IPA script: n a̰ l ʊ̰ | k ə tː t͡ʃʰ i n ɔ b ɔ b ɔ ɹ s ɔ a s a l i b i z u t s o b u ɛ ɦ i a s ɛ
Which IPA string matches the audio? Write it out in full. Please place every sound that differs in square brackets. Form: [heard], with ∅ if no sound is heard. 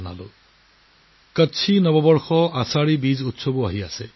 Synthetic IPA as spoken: n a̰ l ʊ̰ | k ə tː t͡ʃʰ i n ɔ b ɔ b ɔ ɹ [x] ɔ a s a [ɹ] i b i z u t s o b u [a] ɦ i a s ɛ